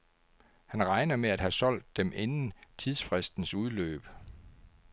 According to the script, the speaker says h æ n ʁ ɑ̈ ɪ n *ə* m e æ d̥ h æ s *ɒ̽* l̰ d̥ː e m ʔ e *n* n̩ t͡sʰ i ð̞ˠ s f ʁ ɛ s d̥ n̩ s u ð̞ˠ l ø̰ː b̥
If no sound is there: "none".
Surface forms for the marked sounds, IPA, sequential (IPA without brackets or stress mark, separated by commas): ɐ, ɒ̽, n